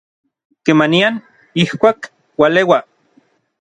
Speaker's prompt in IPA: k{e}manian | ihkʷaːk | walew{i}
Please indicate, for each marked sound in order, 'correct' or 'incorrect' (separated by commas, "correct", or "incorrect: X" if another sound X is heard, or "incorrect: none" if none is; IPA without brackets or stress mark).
correct, incorrect: a